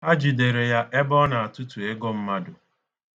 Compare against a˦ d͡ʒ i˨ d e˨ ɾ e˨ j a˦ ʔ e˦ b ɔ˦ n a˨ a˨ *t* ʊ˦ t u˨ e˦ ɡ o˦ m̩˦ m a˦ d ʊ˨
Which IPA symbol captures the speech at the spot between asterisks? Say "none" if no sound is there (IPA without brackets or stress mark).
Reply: t